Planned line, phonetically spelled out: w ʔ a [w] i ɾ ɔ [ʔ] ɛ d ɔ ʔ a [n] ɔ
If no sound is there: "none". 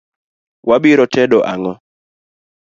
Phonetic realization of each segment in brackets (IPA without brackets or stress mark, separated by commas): b, t, ŋ